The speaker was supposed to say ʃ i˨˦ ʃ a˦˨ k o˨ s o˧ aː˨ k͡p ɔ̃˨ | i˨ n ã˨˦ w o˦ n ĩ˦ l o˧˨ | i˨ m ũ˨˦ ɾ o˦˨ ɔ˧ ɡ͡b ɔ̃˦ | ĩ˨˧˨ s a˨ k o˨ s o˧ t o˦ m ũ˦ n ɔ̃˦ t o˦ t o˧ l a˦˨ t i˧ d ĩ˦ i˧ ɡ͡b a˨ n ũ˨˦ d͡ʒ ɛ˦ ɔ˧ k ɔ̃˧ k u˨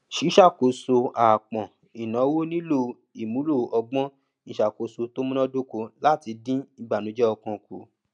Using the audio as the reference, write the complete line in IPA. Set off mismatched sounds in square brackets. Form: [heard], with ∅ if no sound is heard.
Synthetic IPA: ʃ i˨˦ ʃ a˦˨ k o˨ s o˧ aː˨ k͡p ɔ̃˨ | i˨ n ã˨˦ w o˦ n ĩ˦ l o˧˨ | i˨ m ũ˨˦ [l] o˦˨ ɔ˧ ɡ͡b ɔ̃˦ | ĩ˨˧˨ [ʃ] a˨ k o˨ s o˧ t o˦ m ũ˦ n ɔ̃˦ [d] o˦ [k] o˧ l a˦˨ t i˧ d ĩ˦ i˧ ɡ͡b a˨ n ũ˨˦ d͡ʒ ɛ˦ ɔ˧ k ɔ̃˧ k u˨